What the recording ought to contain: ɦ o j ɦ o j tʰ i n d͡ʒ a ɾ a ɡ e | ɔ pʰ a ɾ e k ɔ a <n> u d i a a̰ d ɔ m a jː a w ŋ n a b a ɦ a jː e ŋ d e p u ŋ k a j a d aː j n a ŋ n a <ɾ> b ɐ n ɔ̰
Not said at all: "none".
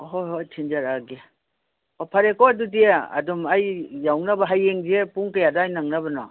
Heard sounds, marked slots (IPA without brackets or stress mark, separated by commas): d, none